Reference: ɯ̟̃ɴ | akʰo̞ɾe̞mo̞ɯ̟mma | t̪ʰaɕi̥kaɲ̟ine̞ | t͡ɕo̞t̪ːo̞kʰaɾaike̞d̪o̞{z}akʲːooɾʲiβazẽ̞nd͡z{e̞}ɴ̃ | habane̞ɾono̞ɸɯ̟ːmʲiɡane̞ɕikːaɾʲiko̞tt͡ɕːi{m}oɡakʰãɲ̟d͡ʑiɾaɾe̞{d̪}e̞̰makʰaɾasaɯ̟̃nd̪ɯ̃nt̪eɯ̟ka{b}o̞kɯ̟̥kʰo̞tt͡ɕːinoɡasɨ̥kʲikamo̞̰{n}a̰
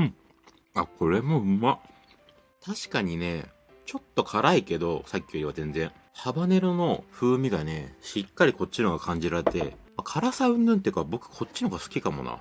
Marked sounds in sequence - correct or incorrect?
incorrect: s, incorrect: ẽ̞, incorrect: n, incorrect: t̪, correct, correct

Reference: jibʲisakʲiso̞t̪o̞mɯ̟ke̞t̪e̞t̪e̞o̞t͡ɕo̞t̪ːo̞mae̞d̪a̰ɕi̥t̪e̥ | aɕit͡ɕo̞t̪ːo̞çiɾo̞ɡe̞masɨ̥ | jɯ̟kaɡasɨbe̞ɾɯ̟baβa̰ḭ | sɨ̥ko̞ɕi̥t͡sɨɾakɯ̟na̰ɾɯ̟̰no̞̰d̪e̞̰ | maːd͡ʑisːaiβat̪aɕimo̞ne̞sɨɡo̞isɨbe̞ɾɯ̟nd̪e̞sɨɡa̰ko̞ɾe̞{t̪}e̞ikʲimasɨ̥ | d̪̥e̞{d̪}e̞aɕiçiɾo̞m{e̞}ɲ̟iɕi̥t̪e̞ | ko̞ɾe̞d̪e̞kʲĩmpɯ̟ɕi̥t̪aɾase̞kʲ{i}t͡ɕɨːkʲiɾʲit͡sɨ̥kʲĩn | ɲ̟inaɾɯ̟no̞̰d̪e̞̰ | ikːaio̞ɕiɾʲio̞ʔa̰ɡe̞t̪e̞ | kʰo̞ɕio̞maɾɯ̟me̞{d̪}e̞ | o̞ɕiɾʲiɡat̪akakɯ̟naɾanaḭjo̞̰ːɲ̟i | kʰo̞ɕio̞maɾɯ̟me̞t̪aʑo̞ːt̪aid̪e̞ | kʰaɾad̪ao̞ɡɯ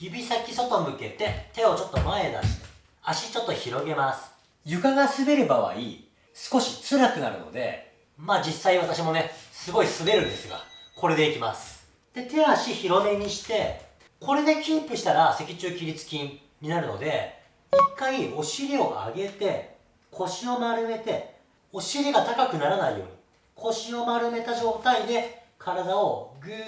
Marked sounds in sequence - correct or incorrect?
incorrect: d̪, incorrect: t̪, correct, correct, incorrect: t̪

